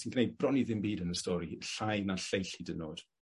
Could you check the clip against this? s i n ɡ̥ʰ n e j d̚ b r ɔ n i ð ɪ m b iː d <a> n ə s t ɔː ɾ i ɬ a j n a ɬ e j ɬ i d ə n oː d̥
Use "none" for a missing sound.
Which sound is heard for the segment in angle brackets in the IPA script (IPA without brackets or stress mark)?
ə